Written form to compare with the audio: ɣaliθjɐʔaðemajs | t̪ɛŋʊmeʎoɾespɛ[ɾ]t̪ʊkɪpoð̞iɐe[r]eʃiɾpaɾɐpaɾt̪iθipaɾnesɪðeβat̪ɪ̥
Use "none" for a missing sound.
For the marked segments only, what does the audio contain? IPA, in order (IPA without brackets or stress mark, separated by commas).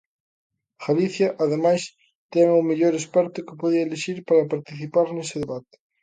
ɾ, l